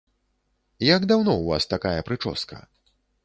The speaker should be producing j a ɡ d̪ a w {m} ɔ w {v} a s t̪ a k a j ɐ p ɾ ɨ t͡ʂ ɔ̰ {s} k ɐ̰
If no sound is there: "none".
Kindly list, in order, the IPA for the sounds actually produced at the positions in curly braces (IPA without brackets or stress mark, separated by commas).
n, v, s